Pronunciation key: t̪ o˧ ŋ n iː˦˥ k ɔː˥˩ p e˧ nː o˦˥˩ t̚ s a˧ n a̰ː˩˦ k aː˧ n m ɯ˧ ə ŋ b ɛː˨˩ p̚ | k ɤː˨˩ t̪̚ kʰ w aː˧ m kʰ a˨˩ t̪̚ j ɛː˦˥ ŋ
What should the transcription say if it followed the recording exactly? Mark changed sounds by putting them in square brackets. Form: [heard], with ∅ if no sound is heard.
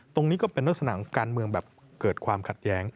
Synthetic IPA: t̪ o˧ ŋ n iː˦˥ k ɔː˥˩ p e˧ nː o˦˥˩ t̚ s a˧ n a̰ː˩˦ k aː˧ n m ɯ˧ ə ŋ b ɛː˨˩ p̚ | k ɤː˨˩ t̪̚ kʰ w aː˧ m kʰ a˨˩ t̪̚ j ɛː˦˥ ŋ